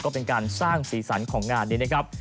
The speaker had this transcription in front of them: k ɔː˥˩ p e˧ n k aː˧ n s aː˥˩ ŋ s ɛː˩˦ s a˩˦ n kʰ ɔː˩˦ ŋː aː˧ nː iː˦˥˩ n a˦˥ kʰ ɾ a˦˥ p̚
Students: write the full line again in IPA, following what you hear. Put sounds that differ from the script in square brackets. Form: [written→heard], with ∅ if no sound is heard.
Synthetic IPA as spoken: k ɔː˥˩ p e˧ n k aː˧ n s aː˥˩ ŋ s [ɛː˩˦→iː˩˦] s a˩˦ n kʰ ɔː˩˦ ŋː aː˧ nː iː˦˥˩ n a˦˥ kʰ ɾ a˦˥ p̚